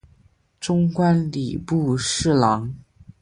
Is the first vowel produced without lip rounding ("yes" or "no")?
no